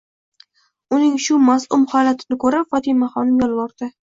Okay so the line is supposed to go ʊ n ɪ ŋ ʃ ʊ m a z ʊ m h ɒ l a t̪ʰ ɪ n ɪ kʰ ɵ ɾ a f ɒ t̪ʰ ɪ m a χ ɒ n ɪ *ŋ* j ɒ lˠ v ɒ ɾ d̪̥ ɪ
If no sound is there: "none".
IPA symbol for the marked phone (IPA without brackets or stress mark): m